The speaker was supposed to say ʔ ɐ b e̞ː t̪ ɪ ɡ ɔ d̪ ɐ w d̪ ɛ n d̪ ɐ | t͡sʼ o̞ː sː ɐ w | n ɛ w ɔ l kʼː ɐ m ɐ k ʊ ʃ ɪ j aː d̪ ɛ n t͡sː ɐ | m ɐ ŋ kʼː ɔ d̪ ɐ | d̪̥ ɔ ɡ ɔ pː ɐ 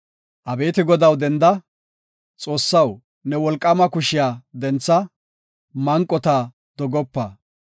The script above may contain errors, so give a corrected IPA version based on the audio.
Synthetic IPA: ʔ ɐ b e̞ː t̪ ɪ ɡ ɔ d̪ ɐ w d̪ ɛ n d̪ ɐ | t͡sʼ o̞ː sː ɐ w | n ɛ w ɔ l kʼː ɐ m ɐ k ʊ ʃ ɪ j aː d̪ ɛ n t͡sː ɐ | m ɐ ŋ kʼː ɔ t̪ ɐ | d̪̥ ɔ ɡ ɔ pː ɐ